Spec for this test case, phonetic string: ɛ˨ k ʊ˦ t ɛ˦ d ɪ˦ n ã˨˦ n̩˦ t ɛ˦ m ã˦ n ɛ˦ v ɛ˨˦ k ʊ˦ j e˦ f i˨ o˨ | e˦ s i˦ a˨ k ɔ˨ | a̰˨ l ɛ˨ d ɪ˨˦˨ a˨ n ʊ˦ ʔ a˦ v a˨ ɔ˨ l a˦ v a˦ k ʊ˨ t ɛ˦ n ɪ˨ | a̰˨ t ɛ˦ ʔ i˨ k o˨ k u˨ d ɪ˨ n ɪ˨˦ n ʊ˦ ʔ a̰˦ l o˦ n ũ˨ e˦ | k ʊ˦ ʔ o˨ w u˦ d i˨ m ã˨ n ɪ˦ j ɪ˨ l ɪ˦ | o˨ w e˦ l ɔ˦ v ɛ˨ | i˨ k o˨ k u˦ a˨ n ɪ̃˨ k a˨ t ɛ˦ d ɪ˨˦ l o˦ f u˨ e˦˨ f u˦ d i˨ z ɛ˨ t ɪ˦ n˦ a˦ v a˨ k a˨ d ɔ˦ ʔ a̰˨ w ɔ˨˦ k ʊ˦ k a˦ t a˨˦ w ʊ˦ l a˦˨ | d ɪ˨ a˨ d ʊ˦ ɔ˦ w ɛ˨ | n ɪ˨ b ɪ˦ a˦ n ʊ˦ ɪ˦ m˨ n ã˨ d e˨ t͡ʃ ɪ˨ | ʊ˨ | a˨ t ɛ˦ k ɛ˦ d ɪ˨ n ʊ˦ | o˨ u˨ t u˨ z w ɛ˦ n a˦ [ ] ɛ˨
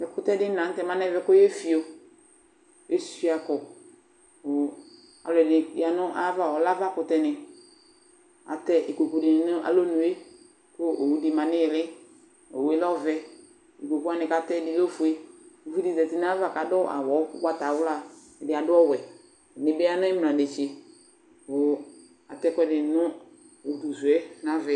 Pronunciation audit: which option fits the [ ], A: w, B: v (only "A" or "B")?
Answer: B